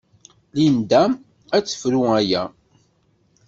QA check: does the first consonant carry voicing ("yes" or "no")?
yes